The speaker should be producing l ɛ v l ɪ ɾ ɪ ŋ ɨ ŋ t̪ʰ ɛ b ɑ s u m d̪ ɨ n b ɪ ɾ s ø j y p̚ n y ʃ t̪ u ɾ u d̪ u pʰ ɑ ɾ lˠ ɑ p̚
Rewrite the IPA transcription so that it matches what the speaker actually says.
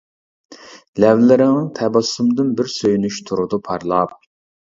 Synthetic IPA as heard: l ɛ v l ɪ ɾ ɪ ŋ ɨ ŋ t̪ʰ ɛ b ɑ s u m d̪ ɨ n b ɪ ɾ s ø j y n y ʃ t̪ʰ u ɾ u d̪ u pʰ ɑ ɾ lˠ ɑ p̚